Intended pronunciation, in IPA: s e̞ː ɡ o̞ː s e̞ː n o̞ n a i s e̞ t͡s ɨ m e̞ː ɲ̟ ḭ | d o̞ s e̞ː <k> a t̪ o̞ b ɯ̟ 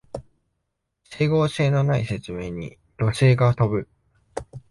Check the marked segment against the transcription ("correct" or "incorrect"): incorrect